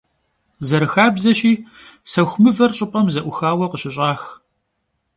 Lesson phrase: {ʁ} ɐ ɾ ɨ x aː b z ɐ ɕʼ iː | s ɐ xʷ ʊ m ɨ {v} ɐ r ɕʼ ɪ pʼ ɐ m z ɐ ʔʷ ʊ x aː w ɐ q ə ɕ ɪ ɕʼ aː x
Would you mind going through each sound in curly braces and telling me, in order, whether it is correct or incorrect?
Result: incorrect: z, correct

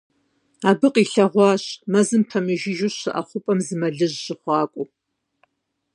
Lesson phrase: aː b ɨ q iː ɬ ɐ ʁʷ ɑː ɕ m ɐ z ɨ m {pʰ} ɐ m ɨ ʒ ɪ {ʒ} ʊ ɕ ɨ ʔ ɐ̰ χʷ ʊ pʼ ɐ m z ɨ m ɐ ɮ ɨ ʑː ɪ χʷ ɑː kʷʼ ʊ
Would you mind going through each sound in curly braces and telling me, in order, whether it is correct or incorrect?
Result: correct, correct

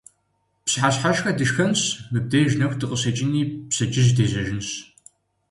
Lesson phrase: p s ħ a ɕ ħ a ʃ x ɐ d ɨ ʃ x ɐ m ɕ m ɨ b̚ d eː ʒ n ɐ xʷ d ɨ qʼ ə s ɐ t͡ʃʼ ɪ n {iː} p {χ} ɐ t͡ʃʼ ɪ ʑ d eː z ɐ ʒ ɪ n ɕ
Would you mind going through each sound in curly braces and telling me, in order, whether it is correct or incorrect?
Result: correct, incorrect: s

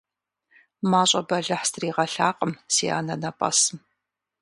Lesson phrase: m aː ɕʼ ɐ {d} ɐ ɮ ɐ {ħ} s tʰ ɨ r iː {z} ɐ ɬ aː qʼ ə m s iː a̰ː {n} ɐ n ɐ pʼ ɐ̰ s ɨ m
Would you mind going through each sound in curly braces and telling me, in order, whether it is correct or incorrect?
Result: incorrect: b, correct, incorrect: ʁ, correct

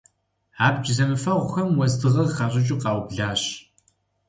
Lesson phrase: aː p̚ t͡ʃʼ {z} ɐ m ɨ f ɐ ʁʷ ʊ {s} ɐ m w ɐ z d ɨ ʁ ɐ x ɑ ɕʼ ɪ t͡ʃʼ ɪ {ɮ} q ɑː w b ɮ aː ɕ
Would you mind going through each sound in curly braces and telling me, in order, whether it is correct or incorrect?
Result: correct, incorrect: x, incorrect: none

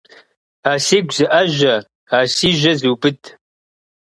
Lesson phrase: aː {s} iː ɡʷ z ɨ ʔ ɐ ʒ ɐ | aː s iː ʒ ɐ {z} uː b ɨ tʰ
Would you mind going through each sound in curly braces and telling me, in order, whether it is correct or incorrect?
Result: correct, correct

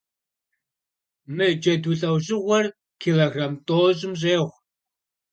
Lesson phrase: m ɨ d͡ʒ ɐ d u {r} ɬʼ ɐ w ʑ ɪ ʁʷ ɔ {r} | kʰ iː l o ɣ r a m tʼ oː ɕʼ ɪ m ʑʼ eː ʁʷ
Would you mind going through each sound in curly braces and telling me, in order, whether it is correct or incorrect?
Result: incorrect: none, correct

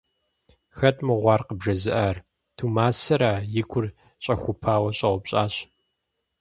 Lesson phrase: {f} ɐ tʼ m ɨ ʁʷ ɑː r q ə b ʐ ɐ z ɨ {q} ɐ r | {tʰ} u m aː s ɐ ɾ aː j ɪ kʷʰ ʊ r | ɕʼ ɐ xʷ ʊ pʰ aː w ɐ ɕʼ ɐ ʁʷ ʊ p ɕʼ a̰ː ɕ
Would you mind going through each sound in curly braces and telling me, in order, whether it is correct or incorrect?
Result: incorrect: x, incorrect: ʔ, correct

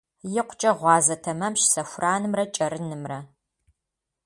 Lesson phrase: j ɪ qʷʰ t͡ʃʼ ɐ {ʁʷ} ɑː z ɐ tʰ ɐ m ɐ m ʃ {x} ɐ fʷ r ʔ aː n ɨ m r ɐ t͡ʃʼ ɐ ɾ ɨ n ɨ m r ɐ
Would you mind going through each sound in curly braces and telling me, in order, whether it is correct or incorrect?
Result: correct, incorrect: s

